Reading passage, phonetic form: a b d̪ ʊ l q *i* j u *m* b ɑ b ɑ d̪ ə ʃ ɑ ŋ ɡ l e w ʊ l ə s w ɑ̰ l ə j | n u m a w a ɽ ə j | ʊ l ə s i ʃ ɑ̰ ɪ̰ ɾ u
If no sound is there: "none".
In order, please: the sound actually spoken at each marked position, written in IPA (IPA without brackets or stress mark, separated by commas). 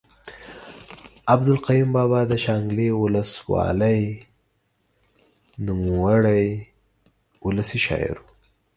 a, m